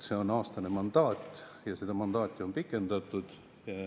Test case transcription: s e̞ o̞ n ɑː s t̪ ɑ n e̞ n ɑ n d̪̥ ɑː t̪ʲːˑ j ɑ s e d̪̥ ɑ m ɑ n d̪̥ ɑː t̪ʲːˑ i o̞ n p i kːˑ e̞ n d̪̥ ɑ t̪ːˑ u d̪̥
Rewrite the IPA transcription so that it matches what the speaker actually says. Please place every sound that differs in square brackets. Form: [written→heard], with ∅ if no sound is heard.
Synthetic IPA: s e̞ o̞ n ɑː s t̪ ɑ n e̞ [n→m] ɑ n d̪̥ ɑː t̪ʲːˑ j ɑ s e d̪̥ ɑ m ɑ n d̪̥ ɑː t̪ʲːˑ i o̞ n p i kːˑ e̞ n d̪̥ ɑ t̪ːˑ u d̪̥